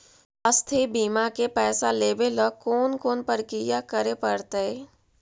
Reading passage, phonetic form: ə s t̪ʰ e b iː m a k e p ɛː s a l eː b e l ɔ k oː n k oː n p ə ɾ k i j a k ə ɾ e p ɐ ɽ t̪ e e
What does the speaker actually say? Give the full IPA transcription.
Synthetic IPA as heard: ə s t̪ʰ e b iː m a k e p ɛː s a l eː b e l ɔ k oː n k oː n p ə ɾ k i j a k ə ɾ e p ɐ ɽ t̪ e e